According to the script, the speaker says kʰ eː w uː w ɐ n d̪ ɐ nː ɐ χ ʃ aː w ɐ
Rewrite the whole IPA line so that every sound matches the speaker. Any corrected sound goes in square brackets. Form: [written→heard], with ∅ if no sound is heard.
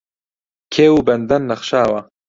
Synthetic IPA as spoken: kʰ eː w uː [w→b] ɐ n d̪ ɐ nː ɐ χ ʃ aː w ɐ